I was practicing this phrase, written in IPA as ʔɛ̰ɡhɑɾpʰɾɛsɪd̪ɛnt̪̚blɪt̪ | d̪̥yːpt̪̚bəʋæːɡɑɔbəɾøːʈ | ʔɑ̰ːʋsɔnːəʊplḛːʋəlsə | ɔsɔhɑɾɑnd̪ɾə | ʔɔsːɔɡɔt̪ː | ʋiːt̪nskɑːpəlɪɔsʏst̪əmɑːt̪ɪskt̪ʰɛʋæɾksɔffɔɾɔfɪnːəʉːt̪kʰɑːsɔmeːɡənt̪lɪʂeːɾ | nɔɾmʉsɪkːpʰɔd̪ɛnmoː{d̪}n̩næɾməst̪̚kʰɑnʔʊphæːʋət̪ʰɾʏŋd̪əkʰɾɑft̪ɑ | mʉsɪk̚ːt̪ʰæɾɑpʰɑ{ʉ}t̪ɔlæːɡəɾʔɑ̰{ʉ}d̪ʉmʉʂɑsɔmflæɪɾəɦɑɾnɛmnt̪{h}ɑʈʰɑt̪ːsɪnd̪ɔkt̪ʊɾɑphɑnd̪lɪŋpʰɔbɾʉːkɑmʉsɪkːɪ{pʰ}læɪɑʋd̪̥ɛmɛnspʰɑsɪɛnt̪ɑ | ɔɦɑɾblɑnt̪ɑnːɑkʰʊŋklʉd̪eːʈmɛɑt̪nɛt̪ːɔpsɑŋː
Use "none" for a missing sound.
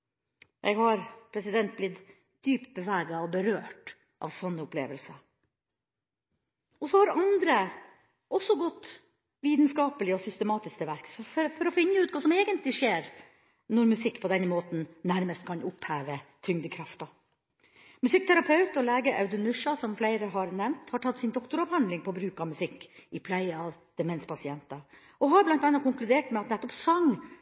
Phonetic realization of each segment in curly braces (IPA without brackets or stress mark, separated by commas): t̪, ʉ, ʉ, h, pʰ